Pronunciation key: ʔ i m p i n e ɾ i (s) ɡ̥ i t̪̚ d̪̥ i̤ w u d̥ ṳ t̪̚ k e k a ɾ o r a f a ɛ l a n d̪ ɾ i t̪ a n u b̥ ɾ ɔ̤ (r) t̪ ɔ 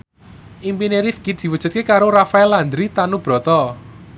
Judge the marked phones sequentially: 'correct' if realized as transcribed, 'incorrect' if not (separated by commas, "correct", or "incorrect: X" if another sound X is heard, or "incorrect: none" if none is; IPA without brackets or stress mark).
incorrect: f, incorrect: none